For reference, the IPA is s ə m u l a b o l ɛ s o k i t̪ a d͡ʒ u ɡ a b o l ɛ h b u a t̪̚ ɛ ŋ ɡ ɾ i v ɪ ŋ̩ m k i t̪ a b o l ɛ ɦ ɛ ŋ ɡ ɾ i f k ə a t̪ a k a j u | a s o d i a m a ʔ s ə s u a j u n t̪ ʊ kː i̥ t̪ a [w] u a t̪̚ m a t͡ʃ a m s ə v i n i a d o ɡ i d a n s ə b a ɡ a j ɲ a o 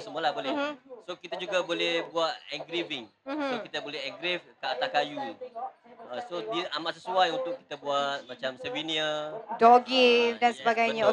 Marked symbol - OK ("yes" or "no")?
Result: no